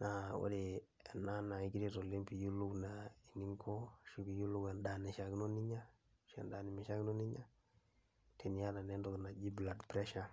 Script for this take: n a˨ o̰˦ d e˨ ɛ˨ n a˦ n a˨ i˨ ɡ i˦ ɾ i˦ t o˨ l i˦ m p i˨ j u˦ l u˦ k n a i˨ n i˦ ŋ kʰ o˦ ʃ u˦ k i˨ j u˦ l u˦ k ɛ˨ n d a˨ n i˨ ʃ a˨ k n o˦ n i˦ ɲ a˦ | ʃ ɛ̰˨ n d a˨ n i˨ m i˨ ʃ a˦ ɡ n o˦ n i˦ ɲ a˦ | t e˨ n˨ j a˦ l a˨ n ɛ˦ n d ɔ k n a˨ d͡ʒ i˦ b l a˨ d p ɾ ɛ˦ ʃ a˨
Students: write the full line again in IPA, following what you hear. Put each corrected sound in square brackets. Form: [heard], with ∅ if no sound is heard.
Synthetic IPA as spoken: n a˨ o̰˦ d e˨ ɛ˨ n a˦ n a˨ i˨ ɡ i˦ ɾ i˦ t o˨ l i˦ m p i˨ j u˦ l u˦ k n a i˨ n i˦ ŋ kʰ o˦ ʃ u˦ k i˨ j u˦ l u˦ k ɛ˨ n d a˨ n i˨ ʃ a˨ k n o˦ n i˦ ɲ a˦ | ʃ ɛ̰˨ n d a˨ n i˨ m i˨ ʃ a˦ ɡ n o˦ n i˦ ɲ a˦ | t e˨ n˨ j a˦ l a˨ n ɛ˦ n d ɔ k n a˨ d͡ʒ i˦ b l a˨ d p ɾ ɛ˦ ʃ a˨